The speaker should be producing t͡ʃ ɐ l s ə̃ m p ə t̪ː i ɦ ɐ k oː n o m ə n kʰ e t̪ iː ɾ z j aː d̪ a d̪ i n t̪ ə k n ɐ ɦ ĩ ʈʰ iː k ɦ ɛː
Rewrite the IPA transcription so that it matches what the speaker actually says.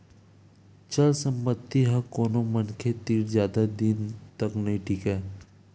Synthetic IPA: t͡ʃ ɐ l s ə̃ m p ə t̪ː i ɦ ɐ k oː n o m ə n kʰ e t̪ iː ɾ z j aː d̪ a d̪ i n t̪ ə k n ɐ ɦ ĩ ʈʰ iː k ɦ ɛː